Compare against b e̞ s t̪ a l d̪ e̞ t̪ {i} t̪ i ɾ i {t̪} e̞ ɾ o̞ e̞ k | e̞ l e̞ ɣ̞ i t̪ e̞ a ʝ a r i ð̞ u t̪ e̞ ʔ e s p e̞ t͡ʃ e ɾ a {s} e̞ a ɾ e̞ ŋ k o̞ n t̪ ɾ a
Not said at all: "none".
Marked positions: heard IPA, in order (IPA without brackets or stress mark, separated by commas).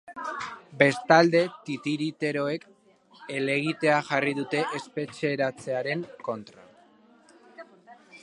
i, t̪, t͡s